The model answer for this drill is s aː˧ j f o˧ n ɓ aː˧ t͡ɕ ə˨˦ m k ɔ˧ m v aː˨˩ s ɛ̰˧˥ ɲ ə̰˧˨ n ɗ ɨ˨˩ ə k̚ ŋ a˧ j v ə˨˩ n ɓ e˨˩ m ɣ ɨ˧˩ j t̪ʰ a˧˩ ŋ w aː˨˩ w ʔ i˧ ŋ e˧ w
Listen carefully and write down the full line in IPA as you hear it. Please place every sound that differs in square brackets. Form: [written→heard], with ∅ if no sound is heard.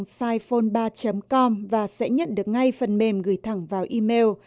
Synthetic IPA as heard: s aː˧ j f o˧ n ɓ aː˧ t͡ɕ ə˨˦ m k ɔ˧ m v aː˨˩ s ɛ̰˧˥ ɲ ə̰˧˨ n ɗ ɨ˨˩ ə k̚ ŋ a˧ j [v→f] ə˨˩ n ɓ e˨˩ m ɣ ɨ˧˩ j t̪ʰ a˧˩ ŋ [w→v] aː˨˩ w ʔ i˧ [ŋ→m] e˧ w

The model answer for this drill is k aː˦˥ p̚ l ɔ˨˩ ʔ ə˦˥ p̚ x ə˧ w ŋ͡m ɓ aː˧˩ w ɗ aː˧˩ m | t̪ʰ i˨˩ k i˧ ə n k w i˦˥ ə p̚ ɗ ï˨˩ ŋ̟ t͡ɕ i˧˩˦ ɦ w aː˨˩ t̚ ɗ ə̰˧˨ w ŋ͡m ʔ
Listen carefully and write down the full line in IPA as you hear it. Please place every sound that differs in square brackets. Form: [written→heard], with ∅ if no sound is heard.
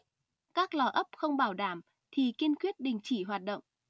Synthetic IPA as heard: k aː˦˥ [p̚→k̚] l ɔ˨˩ ʔ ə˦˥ p̚ x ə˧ w ŋ͡m ɓ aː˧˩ w ɗ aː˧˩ m | t̪ʰ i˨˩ k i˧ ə n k w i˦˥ ə [p̚→t̚] ɗ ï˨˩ ŋ̟ t͡ɕ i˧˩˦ ɦ w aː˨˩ t̚ ɗ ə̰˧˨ w ŋ͡m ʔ

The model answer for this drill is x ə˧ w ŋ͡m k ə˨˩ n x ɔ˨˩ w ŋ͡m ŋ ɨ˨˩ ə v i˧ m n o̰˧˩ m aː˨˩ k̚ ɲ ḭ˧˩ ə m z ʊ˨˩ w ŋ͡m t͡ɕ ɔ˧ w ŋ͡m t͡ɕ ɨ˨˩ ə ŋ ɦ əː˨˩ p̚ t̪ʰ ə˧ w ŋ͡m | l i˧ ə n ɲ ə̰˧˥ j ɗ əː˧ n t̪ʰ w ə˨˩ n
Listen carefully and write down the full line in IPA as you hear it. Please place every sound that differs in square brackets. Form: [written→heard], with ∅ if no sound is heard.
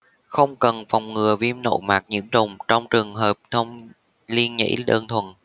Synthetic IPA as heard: x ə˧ w ŋ͡m k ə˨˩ n [x→f] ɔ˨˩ w ŋ͡m ŋ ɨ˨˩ ə v i˧ m n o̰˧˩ m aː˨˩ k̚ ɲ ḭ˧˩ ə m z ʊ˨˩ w ŋ͡m t͡ɕ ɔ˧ w ŋ͡m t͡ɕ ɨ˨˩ ə ŋ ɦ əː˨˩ p̚ t̪ʰ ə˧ w ŋ͡m | l i˧ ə n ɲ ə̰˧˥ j ɗ əː˧ n t̪ʰ w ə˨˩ n

